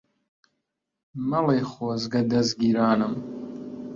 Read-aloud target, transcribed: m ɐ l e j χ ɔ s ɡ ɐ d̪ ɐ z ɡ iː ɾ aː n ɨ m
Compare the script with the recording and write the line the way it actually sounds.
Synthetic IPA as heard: m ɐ l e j χ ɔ z ɡ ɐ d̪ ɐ z ɡ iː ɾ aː n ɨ m